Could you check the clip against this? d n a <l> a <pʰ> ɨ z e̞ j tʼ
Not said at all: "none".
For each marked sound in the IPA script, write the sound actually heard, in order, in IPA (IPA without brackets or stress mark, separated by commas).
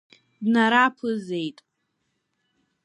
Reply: ɾ, pʰ